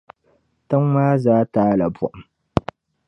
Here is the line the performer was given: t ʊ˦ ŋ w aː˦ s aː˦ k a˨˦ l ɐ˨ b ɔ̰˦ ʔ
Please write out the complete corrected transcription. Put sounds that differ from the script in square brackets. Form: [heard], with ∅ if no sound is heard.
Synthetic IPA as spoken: t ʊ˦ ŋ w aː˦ [z] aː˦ [t] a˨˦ l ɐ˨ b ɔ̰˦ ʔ